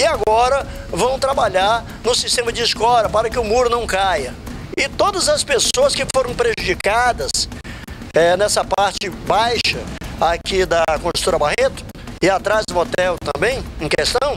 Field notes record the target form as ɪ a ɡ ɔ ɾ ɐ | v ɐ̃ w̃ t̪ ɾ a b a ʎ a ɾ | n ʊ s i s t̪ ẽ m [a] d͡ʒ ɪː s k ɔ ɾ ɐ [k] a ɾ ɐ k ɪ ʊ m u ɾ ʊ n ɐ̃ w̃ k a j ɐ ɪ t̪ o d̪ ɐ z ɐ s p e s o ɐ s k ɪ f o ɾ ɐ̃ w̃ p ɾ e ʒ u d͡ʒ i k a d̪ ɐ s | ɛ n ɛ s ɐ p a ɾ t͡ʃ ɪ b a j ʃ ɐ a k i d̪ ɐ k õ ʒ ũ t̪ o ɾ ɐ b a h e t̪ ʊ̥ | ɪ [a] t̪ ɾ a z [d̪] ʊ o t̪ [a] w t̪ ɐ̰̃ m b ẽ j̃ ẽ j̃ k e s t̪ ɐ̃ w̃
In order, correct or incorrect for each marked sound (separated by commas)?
incorrect, incorrect, correct, correct, incorrect